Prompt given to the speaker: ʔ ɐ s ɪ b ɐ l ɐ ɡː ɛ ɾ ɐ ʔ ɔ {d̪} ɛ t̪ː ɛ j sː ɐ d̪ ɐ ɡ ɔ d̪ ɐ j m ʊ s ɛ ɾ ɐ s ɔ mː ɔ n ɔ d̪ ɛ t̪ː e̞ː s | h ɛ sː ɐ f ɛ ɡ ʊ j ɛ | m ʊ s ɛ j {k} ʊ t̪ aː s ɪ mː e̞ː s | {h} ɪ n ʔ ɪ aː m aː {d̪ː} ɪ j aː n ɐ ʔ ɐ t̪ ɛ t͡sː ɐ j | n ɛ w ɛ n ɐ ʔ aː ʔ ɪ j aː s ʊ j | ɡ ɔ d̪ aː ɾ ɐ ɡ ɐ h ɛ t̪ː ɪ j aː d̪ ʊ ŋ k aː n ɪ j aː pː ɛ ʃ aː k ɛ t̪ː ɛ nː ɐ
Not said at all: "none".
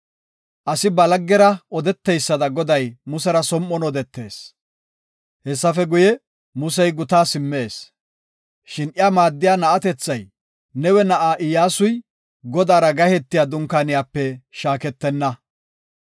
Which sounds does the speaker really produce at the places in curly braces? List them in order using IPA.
d̪, ɡ, ʃ, d̪ː

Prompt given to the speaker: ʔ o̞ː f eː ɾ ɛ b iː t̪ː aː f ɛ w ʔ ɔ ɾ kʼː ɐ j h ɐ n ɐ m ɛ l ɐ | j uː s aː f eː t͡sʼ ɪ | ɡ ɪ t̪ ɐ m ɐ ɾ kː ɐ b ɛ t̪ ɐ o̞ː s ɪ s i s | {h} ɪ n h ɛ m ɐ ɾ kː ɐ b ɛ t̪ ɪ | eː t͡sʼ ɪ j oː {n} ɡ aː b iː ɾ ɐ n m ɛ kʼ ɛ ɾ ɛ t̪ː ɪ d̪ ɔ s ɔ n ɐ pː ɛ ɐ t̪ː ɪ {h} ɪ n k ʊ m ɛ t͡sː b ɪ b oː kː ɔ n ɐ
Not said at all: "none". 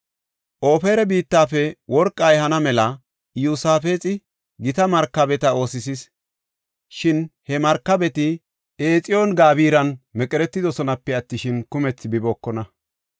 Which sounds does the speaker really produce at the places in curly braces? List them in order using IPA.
ʃ, n, ʃ

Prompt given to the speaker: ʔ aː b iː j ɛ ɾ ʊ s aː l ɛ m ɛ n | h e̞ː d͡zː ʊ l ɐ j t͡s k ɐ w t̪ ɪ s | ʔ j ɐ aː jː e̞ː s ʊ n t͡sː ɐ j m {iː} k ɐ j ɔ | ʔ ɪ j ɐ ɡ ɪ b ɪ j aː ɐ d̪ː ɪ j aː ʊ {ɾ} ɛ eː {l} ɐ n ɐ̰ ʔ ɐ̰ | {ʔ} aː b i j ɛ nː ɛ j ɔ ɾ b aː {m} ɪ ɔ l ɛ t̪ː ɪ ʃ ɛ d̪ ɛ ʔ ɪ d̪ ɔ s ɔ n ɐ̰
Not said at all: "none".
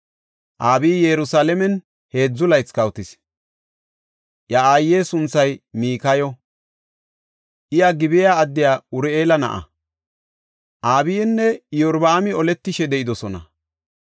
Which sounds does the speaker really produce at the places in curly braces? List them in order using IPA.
iː, ɾ, l, ʔ, m

